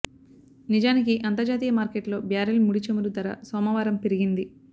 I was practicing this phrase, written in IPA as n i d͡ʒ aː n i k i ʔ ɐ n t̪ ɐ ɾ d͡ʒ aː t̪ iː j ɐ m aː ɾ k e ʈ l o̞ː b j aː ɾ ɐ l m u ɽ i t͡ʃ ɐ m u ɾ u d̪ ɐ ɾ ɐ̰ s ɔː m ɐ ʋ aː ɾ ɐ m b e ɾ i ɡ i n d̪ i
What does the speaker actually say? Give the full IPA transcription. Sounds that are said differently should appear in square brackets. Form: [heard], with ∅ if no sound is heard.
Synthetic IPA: n i d͡ʒ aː n i k i ʔ ɐ n t̪ ɐ ɾ d͡ʒ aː t̪ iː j ɐ m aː ɾ k e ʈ l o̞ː b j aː ɾ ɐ l m u ɽ i t͡ʃ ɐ m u ɾ u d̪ ɐ ɾ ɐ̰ s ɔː m ɐ ʋ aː ɾ ɐ m [p] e ɾ i ɡ i n d̪ i